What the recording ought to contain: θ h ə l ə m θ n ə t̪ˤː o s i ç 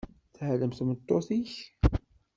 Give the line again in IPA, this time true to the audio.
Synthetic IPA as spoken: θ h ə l ə m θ m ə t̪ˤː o θ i ç